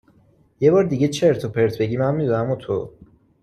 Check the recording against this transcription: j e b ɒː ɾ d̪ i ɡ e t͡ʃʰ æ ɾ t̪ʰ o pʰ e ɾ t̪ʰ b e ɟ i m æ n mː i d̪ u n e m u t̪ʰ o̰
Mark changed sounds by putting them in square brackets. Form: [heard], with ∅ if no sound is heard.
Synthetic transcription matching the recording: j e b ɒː ɾ d̪ i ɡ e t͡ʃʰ [e] ɾ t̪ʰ o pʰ e ɾ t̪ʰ b e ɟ i m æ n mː i d̪ u n [æ] m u t̪ʰ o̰